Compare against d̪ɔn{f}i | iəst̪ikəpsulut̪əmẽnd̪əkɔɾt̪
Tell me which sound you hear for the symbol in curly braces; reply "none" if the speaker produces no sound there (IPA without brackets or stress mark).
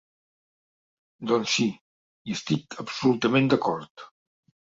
s